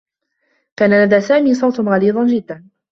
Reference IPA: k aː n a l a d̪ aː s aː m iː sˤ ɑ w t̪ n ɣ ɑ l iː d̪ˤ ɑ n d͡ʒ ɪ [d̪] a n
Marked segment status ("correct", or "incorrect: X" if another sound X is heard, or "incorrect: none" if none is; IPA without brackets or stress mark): incorrect: d̪ː